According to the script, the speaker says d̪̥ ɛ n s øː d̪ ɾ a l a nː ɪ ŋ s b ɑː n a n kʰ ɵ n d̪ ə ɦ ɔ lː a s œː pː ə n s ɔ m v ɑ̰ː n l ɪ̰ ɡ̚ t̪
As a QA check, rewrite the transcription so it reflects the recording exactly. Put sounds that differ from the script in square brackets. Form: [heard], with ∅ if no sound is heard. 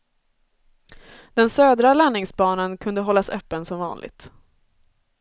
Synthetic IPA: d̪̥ ɛ n s øː d̪ ɾ a l a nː ɪ ŋ s b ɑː n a n kʰ ɵ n d̪ ə ɦ ɔ lː a s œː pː ə n s ɔ m v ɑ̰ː n l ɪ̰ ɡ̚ t̪

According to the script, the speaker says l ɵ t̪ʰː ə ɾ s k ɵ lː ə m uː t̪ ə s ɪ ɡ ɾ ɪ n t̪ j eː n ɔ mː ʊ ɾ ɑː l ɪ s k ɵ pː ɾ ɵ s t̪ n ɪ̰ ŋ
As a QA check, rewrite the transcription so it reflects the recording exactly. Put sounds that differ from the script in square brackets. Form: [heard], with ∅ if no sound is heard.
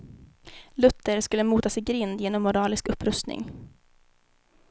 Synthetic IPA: l ɵ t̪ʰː ə ɾ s k ɵ lː ə m uː t̪ [a] s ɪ ɡ ɾ ɪ n [d̪] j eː n ɔ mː ʊ ɾ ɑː l ɪ s k ɵ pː ɾ ɵ s t̪ n ɪ̰ ŋ

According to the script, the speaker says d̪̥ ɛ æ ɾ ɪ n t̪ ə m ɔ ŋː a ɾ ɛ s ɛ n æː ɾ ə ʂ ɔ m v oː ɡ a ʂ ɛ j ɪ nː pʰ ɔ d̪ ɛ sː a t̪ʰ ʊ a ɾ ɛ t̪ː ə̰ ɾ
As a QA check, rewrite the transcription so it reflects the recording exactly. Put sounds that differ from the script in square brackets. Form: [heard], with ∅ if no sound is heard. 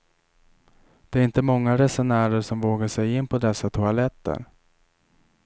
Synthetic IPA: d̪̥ ɛ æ ɾ ɪ n t̪ ə m ɔ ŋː a ɾ ɛ s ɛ n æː ɾ ə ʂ ɔ m v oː ɡ a ʂ ɛ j ɪ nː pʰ ɔ d̪ ɛ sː a t̪ʰ ʊ a [l] ɛ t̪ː ə̰ ɾ

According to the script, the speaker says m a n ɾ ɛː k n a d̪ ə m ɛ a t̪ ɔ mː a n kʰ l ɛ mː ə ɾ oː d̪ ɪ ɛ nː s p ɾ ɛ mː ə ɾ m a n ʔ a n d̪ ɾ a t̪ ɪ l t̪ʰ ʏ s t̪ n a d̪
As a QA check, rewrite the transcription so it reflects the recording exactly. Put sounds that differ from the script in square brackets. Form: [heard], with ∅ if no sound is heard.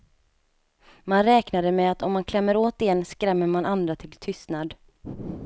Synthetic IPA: m a n ɾ ɛː k n a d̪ ə m ɛ a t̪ ɔ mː a n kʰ l ɛ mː ə ɾ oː [t̪] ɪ ɛ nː s [k] ɾ ɛ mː ə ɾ m a n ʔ a n d̪ ɾ a [t̪ʰ] ɪ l t̪ʰ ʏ s t̪ n a d̪

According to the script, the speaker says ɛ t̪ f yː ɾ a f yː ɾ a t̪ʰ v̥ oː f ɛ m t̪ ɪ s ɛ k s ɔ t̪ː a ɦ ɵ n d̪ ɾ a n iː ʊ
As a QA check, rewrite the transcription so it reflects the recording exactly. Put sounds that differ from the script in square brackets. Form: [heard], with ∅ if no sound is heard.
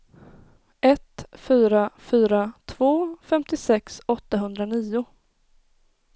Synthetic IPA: ɛ t̪ f yː ɾ a f yː ɾ a t̪ʰ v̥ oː f ɛ m t̪ ɪ s ɛ k s ɔ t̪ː a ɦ ɵ n d̪ ɾ a n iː ʊ

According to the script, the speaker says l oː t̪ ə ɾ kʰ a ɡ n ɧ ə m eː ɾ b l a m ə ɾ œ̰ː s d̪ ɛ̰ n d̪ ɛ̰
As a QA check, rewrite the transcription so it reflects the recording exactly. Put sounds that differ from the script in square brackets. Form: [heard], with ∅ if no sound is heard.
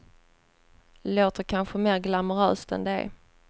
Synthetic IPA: l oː t̪ ə ɾ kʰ a [∅] n ɧ ə m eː ɾ [ɡ] l a m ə ɾ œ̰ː s [t̪] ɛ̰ n d̪ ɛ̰

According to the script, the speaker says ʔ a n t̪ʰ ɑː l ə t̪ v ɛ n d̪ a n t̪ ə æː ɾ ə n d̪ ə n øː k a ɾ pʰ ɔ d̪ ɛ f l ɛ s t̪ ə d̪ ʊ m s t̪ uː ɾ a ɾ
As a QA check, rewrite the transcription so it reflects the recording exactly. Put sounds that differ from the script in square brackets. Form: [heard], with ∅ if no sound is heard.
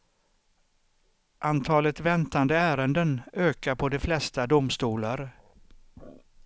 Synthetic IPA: ʔ a n t̪ʰ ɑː l ə t̪ v ɛ n [t̪] a n [d̪] ə æː ɾ ə n d̪ ə n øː k a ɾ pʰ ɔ d̪ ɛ f l ɛ s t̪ [a] d̪ ʊ m s t̪ uː [l] a ɾ

